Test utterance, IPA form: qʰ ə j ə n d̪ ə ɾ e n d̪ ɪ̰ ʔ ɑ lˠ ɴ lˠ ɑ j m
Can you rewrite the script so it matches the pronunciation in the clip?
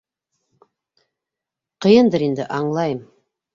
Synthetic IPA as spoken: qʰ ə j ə n d̪ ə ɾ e n d̪ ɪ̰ ʔ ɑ ɴ lˠ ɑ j m